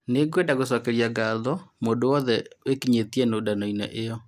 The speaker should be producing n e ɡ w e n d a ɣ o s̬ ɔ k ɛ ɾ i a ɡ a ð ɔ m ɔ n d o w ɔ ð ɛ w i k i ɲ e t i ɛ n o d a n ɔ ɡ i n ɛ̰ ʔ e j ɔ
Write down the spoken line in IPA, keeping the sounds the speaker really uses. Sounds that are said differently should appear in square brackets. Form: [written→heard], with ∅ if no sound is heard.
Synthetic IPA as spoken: n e ɡ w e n d a ɣ o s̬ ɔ k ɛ ɾ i a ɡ a ð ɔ m [ɔ→o] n d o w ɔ ð ɛ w [i→e] k i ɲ e t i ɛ n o d a n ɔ [ɡ→∅] i n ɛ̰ ʔ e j ɔ